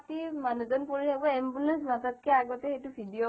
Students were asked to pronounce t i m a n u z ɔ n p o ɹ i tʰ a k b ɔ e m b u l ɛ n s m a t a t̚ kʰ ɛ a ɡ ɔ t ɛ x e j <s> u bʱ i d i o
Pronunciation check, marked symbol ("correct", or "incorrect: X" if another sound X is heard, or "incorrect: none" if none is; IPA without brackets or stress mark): incorrect: t